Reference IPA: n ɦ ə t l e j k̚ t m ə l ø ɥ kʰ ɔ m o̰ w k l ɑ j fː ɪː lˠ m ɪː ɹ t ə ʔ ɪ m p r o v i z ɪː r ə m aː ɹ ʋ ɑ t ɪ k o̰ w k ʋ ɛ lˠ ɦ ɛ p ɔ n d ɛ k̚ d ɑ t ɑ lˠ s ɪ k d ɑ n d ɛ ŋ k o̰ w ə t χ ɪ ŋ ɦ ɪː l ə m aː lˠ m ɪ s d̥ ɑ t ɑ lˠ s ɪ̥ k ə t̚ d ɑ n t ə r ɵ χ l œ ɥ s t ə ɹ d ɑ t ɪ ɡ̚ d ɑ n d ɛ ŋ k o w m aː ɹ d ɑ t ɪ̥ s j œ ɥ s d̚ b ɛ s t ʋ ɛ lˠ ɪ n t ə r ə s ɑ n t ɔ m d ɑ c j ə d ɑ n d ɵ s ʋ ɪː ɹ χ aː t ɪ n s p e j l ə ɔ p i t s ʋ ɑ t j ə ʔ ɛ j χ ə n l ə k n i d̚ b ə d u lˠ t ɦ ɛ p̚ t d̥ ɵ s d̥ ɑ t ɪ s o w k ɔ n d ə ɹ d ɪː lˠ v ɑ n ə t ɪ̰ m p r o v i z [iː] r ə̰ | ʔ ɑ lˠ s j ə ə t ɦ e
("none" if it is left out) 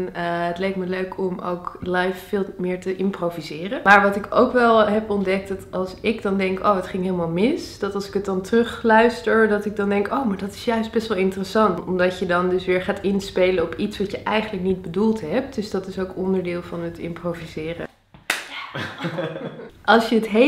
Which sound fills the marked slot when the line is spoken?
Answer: ɪː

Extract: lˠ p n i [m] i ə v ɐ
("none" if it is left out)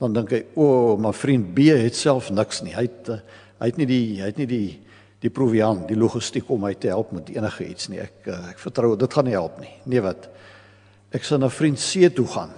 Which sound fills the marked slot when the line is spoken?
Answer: n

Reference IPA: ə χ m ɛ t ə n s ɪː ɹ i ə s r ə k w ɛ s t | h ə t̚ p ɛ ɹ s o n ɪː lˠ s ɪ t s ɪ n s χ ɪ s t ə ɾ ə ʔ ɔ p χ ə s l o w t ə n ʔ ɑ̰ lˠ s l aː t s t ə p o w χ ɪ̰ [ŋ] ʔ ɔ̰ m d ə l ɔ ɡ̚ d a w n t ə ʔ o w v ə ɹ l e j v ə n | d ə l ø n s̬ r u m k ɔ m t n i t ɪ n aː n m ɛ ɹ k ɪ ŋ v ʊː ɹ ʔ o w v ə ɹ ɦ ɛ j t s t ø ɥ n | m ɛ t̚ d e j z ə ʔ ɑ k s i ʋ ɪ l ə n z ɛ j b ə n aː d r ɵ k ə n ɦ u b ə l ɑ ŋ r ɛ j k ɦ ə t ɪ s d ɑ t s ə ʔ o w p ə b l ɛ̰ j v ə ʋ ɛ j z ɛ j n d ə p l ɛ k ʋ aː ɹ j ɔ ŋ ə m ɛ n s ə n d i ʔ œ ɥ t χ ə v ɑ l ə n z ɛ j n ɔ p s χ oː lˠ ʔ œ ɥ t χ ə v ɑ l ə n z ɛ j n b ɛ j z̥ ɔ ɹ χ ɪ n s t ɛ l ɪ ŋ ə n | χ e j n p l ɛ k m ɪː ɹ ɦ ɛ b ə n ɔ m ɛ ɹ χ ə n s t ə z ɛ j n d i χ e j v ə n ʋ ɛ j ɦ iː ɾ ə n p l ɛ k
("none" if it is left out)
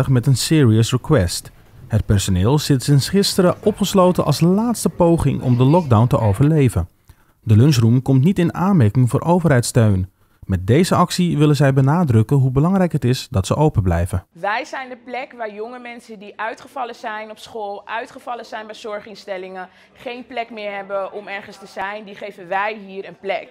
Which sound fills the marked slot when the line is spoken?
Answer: ŋ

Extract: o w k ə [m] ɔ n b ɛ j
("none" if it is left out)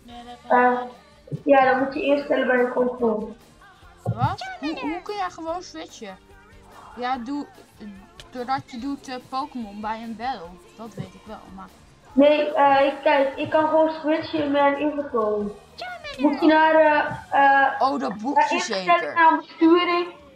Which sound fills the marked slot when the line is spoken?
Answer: m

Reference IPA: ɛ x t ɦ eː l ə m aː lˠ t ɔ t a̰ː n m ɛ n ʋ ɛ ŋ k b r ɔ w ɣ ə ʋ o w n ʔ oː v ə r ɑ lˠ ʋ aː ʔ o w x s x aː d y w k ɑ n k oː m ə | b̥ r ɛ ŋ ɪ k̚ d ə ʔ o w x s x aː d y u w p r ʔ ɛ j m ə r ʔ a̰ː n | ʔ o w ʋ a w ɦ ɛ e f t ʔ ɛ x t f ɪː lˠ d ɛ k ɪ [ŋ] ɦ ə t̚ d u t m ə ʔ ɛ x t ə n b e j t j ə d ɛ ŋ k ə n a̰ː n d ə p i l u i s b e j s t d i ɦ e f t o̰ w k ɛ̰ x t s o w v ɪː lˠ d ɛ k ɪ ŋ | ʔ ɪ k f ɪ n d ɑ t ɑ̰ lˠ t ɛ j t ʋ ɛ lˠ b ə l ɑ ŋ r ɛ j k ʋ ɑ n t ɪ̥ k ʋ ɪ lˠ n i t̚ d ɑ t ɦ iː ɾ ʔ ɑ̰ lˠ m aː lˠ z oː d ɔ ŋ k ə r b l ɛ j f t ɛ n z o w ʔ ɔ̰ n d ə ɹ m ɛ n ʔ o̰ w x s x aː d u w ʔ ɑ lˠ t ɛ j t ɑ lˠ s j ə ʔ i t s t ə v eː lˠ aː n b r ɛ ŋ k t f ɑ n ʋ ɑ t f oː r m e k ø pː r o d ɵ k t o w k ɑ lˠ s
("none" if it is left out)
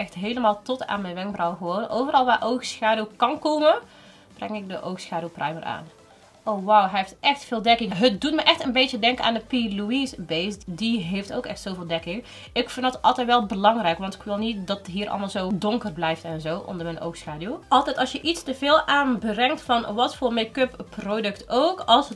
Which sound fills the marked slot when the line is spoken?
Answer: ŋ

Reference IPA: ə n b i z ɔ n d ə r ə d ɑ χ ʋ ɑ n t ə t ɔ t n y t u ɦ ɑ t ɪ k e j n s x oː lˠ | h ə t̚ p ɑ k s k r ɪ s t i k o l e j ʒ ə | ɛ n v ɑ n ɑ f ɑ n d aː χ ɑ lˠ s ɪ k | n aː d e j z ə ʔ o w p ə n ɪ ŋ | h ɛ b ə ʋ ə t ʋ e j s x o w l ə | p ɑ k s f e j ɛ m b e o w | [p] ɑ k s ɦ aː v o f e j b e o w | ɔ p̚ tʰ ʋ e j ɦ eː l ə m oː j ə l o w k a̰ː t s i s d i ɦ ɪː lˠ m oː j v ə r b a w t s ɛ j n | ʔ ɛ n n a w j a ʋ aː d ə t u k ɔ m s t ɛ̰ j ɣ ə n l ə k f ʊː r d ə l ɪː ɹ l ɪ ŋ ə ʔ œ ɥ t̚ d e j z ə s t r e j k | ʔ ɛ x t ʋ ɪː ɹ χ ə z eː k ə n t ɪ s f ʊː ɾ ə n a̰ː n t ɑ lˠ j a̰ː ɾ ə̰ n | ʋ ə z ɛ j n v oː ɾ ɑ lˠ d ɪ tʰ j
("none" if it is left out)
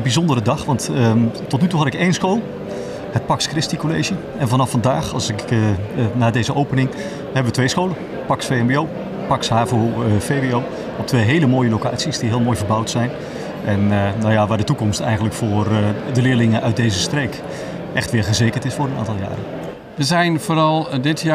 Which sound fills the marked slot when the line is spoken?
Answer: p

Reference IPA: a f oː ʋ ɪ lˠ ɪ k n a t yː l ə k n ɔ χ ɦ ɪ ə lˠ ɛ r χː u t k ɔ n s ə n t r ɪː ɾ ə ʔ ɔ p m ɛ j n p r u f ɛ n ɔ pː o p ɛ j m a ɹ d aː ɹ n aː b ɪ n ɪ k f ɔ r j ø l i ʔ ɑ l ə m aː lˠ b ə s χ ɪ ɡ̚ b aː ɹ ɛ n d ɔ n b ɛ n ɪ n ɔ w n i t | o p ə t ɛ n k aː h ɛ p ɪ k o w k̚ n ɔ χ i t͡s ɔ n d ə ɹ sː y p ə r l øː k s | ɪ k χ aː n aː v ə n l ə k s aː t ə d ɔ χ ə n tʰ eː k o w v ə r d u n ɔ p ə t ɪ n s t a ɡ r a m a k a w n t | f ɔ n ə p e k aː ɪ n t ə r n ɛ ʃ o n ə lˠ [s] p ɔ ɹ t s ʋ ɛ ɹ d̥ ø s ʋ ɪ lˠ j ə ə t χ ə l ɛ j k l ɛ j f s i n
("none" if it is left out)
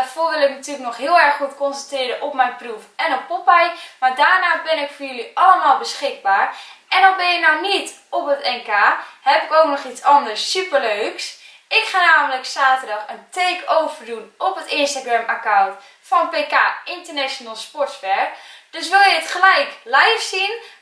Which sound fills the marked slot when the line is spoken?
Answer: s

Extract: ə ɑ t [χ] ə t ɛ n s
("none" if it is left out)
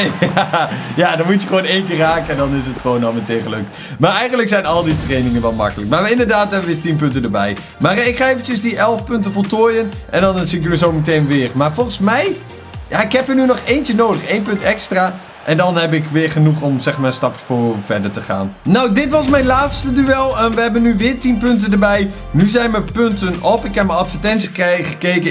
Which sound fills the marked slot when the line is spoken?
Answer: f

